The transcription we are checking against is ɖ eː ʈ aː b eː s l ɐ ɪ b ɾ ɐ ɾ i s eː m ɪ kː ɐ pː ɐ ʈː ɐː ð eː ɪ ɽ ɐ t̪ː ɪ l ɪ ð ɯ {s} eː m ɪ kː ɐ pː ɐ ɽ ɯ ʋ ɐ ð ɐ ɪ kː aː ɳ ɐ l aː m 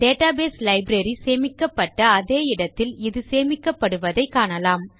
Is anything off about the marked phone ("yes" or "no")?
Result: no